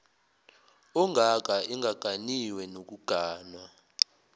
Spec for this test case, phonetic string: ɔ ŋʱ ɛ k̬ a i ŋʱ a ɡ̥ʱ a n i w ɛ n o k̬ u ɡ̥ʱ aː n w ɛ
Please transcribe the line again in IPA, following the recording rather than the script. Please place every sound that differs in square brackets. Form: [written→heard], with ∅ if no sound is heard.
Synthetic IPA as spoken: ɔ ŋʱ [ɛ→a] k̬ a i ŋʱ a ɡ̥ʱ a n i w ɛ n o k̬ u ɡ̥ʱ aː n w [ɛ→a]